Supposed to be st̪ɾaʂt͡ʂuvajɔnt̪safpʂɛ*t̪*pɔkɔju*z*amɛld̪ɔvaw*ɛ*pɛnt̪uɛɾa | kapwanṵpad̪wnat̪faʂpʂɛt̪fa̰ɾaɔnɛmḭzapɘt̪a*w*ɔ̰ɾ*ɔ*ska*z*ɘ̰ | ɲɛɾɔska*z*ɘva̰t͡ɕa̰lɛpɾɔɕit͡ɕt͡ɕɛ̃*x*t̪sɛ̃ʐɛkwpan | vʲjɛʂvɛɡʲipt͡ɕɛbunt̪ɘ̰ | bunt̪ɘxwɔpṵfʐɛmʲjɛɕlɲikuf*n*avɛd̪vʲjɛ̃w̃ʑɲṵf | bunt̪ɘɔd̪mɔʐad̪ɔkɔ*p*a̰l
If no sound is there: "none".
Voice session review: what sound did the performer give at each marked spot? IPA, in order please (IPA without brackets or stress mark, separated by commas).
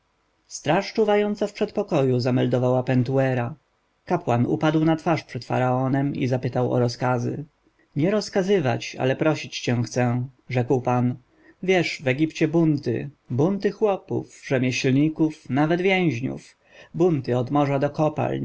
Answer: t̪, z, a, w, ɔ, z, z, x, n, p